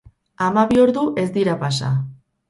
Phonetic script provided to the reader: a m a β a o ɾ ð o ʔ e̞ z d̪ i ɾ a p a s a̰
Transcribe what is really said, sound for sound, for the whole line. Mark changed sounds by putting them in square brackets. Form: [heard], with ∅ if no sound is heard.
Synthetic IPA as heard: a m a β [i] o ɾ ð [u] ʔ e̞ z d̪ i ɾ a p a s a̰

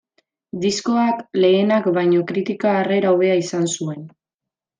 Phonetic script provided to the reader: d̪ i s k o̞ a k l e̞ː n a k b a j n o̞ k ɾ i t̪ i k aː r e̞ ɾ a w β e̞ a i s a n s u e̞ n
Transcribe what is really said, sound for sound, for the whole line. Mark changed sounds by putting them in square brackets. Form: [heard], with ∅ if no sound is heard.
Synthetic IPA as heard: d̪ i s k o̞ a k l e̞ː n a k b a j [ɲ] o̞ k ɾ i t̪ i k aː r e̞ ɾ a w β e̞ a i s a n s u e̞ n

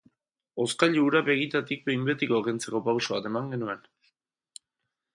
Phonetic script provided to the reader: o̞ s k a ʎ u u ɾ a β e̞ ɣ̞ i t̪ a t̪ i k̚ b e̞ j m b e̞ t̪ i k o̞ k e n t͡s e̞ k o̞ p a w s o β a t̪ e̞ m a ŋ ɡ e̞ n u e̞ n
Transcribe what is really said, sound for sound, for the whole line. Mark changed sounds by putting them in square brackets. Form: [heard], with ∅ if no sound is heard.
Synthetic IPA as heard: o̞ s k a ʎ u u ɾ a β e̞ ɣ̞ i t̪ a t̪ i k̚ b e̞ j m b e̞ t̪ i k o̞ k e n t͡s e̞ k o̞ p a w s o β a t̪ e̞ m a ŋ ɡ e̞ n u e̞ n

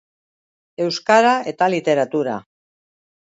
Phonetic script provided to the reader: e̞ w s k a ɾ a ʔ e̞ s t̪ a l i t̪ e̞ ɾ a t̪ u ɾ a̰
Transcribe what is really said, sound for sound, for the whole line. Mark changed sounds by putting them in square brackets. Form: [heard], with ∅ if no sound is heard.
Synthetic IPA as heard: e̞ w s k a ɾ a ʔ e̞ [∅] t̪ a l i t̪ e̞ ɾ a t̪ u ɾ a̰

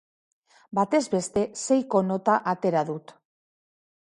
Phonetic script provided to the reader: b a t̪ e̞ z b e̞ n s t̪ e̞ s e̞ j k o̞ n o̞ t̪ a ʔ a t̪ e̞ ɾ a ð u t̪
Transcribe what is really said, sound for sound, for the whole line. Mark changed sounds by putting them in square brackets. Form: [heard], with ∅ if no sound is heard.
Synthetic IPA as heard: b a t̪ e̞ z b e̞ [∅] s t̪ e̞ s e̞ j k o̞ n o̞ t̪ a ʔ a t̪ e̞ ɾ a ð u t̪

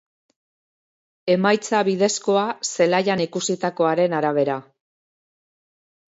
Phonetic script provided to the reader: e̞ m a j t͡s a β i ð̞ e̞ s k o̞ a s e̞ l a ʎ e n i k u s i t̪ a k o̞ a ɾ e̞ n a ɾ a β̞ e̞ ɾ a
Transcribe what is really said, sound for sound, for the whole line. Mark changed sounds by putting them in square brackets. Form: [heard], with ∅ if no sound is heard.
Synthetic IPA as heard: e̞ m a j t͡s a β i ð̞ e̞ s k o̞ a s e̞ l a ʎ [a] n i k u s i t̪ a k o̞ a ɾ e̞ n a ɾ a β̞ e̞ ɾ a

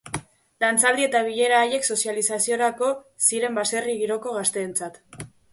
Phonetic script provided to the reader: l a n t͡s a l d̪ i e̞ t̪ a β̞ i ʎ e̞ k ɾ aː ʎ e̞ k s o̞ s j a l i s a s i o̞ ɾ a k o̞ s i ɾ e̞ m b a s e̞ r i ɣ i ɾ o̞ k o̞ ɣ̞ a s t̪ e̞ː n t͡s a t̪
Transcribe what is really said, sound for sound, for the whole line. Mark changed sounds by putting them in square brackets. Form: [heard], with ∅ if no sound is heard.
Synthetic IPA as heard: l a n t͡s a l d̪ i e̞ t̪ a β̞ i ʎ e̞ [∅] ɾ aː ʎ e̞ k s o̞ s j a l i s a s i o̞ ɾ a k o̞ s i ɾ e̞ m b a s e̞ r i ɣ i ɾ o̞ k o̞ ɣ̞ a s t̪ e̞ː n t͡s a t̪

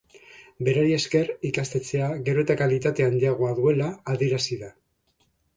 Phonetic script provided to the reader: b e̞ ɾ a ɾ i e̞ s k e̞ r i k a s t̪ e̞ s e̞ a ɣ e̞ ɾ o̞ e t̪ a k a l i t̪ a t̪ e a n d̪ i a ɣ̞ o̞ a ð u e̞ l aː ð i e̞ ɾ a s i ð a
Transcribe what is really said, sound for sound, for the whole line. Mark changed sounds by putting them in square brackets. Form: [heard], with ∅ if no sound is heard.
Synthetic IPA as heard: b e̞ ɾ a ɾ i e̞ s k e̞ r i k a s t̪ e̞ [t͡s] e̞ a ɣ e̞ ɾ o̞ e t̪ a k a l i t̪ a t̪ e a n d̪ i a ɣ̞ o̞ a ð u e̞ l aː ð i e̞ ɾ a s i ð a

